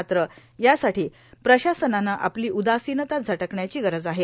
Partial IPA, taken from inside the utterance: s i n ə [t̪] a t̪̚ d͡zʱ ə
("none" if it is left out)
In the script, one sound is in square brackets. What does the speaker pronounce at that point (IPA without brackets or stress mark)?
t̪